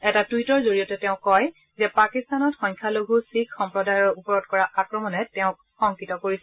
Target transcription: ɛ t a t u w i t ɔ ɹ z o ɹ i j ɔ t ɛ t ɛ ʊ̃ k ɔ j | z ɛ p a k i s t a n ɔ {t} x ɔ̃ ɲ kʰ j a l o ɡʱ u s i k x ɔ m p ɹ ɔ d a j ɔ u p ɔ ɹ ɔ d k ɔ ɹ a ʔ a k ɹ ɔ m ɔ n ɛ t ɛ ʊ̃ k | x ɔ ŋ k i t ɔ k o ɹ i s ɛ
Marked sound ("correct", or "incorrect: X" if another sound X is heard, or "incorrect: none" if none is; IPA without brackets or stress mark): correct